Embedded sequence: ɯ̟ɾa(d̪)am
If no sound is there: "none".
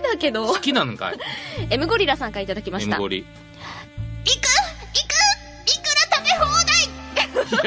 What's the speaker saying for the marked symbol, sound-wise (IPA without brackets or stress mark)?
t̪